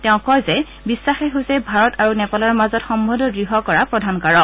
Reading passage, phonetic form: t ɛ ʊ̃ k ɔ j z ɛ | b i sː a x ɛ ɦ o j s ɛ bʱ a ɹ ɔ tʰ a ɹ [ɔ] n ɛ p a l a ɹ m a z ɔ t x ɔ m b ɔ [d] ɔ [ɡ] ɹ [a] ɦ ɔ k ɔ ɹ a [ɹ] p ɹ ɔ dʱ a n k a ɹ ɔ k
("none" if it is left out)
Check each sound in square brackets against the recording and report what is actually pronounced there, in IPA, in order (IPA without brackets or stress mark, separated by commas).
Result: u, d, ɡ, i, none